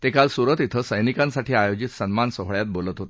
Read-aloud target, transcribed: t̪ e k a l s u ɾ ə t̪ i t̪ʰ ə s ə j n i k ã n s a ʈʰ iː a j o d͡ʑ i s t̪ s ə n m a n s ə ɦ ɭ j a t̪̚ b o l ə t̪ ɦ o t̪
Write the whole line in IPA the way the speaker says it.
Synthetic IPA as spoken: t̪ e k a l s u ɾ ə t̪ i t̪ʰ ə s ə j n i k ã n s a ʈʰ iː a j o d͡ʑ i t̪ s ə n m a n s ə ɦ ɭ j a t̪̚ b o l ə t̪ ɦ o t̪